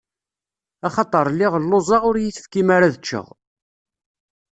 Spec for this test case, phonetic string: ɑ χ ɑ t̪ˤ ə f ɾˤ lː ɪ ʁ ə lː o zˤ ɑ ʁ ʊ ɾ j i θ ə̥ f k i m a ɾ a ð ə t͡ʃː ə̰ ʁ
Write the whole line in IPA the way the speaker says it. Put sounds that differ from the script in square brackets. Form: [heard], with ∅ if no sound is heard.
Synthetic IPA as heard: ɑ χ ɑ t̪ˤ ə [∅] ɾˤ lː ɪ ʁ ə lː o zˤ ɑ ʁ ʊ ɾ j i θ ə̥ f k i m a ɾ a ð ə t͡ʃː ə̰ ʁ